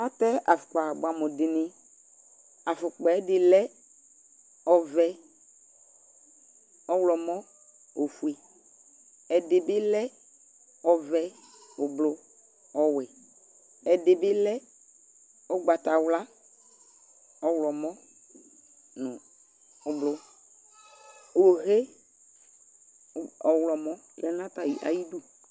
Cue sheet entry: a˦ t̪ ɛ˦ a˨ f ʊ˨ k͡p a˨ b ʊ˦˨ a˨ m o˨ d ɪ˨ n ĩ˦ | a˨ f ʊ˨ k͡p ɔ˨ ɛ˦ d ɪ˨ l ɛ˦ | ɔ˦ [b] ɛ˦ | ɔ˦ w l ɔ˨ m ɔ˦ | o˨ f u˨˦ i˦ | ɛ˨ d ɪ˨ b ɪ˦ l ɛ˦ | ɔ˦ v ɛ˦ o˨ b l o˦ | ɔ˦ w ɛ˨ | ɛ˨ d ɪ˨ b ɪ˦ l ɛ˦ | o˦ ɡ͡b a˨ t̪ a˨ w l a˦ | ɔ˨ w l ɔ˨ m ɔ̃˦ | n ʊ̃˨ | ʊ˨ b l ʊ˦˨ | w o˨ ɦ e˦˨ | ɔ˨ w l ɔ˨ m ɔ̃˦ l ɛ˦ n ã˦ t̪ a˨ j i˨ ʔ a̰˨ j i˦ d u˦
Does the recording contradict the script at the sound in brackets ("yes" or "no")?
yes